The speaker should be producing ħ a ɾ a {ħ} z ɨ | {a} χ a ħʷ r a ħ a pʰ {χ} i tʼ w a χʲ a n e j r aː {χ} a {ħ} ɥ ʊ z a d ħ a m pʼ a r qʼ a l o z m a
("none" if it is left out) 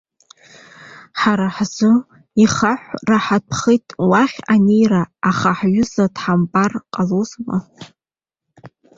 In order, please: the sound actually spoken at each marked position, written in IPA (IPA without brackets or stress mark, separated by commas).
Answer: ħ, i, χ, χ, ħ